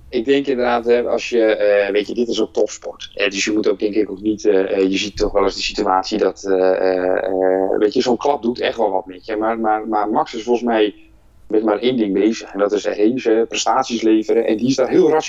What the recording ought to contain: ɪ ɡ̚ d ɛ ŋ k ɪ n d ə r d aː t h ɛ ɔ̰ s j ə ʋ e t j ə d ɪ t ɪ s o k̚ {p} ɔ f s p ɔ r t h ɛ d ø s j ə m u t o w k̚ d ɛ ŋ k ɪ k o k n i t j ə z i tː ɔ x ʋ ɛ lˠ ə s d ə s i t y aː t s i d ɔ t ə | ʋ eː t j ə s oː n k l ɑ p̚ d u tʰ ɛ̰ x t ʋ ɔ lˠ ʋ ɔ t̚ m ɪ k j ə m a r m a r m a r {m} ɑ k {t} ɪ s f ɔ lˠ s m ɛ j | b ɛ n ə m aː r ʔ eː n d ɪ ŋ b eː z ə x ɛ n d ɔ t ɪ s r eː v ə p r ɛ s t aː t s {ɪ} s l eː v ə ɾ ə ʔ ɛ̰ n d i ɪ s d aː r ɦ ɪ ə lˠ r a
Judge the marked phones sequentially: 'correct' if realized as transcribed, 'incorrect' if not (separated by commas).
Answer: incorrect, correct, incorrect, incorrect